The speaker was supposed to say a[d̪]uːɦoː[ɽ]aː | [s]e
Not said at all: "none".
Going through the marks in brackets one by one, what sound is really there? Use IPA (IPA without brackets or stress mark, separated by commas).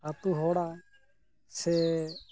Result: t̪, ɽ, s